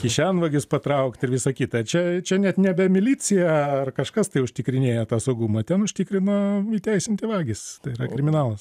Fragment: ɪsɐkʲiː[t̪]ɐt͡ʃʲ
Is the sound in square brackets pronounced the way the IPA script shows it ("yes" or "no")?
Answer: yes